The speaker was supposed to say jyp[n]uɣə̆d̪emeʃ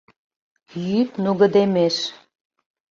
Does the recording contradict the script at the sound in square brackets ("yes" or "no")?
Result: no